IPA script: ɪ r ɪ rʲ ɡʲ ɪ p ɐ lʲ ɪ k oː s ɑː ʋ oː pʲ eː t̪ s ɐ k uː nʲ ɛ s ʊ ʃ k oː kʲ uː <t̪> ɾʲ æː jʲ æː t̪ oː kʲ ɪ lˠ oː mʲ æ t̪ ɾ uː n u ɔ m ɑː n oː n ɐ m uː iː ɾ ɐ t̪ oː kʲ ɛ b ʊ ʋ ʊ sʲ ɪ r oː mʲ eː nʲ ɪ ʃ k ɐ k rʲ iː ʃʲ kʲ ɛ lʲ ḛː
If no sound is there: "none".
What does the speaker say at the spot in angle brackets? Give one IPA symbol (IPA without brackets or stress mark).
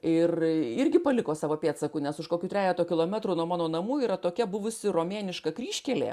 t̪